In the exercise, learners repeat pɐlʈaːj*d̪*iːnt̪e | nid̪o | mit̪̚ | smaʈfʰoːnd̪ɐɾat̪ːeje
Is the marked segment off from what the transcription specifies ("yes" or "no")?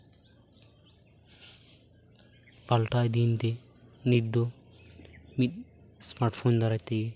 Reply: no